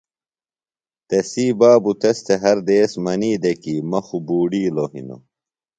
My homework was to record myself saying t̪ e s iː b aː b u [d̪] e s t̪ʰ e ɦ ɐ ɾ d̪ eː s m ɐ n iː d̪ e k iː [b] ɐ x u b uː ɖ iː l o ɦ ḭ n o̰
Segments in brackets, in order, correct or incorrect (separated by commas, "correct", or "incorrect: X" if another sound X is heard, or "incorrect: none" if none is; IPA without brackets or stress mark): incorrect: t̪, incorrect: m